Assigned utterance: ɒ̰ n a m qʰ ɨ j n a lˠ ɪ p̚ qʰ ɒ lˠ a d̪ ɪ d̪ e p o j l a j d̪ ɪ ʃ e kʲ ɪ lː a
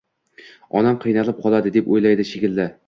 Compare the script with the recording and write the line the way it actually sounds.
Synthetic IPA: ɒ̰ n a m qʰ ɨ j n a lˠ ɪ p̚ qʰ ɒ lˠ a d̪ ɪ d̪ e p o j l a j d̪ ɪ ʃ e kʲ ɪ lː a